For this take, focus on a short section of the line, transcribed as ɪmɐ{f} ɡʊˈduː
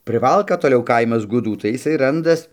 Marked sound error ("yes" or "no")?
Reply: yes